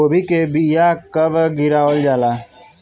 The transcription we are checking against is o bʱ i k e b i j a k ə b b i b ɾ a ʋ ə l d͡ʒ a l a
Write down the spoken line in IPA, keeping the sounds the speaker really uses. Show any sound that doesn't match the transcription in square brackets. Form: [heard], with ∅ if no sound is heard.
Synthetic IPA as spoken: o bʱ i k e b i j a k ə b [ɡ] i [∅] ɾ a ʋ ə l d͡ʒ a l a